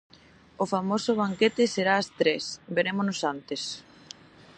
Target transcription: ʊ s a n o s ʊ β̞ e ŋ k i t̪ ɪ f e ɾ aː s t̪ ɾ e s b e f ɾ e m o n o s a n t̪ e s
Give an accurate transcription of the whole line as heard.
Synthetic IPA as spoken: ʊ f a m o s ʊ β̞ a ŋ k e t̪ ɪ s e ɾ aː s t̪ ɾ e s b e ɾ e m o n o s a n t̪ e s